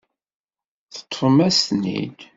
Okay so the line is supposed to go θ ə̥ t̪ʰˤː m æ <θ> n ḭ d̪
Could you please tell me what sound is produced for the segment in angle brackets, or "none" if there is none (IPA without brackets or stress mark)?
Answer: s